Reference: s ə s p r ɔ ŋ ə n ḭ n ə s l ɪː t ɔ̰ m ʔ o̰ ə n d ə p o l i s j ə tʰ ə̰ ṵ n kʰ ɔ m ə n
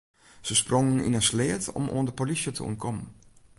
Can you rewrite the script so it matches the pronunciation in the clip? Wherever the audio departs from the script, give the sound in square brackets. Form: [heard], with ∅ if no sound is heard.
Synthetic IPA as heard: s ə s p r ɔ ŋ ə n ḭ n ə s l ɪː t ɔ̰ m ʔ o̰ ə n d ə p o l i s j ə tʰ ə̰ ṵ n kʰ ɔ m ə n

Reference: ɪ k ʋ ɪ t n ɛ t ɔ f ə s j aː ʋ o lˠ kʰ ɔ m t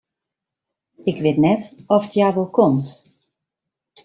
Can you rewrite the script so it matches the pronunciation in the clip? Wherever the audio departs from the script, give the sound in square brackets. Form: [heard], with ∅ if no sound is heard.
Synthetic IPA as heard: ɪ k ʋ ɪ t n ɛ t ɔ f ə [t] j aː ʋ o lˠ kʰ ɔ m t

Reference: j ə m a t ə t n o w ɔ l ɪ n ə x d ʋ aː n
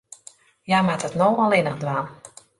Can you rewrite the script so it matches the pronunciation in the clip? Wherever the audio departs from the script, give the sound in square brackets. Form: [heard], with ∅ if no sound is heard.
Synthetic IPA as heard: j [a] m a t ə t n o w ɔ l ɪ n ə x d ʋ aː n

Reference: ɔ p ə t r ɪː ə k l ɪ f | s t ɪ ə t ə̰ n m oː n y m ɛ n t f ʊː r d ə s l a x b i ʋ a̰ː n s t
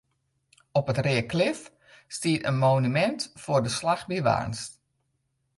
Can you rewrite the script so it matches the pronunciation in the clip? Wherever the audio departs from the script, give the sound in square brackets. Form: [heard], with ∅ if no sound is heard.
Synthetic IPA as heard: ɔ p ə t r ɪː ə k l ɪ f | s t [i] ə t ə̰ n m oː n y m ɛ n t f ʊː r d ə s l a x b i ʋ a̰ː n s t

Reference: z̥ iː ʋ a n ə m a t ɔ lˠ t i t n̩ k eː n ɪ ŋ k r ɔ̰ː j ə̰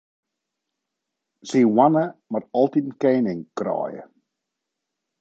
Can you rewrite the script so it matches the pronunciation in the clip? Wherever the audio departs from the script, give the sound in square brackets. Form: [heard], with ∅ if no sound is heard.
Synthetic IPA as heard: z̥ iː [w] a n ə m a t ɔ lˠ t i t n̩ k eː n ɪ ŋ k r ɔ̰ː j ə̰

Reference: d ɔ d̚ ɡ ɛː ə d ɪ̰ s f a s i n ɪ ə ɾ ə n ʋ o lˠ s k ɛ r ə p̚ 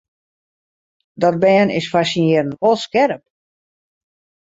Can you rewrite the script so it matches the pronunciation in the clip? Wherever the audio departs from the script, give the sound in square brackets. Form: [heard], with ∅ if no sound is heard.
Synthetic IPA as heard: d ɔ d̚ [b] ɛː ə [n] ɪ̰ s f a s i n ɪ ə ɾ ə n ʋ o lˠ s k ɛ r ə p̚

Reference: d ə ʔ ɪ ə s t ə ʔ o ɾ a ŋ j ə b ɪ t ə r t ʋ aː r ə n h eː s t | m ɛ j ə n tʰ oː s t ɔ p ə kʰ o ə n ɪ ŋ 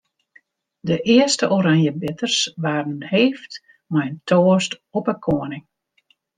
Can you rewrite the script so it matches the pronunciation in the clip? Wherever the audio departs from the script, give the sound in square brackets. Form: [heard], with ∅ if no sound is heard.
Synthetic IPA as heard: d ə ʔ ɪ ə s t ə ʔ o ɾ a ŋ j ə b ɪ t ə r [s] ʋ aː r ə n h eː [f] t | m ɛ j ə n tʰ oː s t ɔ p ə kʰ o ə n ɪ ŋ

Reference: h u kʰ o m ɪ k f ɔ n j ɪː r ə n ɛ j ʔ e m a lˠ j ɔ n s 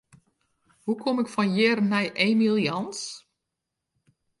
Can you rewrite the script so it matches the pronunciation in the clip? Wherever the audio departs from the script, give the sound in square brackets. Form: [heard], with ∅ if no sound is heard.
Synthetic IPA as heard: h u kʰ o m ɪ k f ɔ n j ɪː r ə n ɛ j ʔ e m [i] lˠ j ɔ n s

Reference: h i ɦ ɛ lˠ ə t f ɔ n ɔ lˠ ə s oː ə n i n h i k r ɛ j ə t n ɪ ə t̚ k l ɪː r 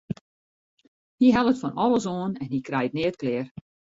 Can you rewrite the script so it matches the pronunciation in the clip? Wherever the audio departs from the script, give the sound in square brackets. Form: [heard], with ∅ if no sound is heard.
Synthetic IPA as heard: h i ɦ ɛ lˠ ə t f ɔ n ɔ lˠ ə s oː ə n [ɛ] n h i k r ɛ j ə t n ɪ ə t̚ k l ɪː r

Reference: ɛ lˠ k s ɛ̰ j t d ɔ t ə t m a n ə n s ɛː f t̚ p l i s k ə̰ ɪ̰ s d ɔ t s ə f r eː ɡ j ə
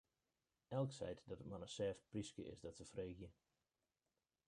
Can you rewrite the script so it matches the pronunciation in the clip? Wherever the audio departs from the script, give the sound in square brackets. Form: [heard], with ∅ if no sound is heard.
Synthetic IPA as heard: ɛ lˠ k s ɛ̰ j t d ɔ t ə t m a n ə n s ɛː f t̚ p [r] i s k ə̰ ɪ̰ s d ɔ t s ə f r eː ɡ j ə

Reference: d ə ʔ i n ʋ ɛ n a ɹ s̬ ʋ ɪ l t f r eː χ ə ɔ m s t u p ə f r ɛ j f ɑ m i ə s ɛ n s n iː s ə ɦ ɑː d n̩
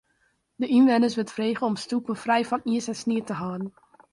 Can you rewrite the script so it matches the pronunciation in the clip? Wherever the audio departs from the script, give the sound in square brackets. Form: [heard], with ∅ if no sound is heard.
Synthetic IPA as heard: d ə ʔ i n ʋ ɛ n [ə] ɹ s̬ ʋ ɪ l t f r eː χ ə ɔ m s t u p ə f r ɛ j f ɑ [n] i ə s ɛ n s n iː [t] ə ɦ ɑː d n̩

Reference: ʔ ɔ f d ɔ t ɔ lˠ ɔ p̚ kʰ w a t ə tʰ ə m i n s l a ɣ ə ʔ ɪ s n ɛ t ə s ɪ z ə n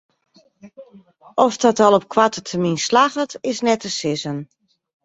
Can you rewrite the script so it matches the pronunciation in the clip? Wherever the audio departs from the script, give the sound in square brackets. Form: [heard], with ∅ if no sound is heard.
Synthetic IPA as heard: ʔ ɔ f d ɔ t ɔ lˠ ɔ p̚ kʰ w a t ə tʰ ə m i n s l a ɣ ə [t] ɪ s n ɛ t ə s ɪ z ə n

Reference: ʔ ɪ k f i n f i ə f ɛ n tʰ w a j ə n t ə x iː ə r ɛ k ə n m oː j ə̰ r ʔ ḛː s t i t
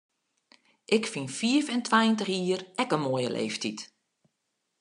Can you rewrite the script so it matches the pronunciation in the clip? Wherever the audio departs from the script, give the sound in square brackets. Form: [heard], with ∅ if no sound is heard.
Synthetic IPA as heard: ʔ ɪ k f i n f i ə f ɛ n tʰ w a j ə n t ə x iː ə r ɛ k ə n m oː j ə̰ [l] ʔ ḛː [f] t i t

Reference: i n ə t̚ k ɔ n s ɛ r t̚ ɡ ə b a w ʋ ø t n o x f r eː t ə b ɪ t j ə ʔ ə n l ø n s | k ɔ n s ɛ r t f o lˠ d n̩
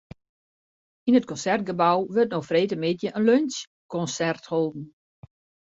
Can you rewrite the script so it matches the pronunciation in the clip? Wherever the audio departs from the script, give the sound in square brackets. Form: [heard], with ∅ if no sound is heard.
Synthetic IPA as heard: i n ə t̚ k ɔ n s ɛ r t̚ ɡ ə b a w ʋ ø t n o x f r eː t ə [m] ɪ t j ə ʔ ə n l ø n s | k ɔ n s ɛ r t [h] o lˠ d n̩

